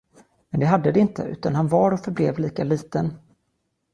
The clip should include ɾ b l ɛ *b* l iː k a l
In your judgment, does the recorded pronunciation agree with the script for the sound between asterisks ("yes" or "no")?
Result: no